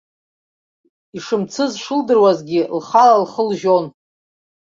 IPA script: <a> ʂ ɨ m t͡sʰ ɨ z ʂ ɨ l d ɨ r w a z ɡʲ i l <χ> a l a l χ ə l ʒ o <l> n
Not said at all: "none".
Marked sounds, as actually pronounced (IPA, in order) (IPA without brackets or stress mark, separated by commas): i, χ, none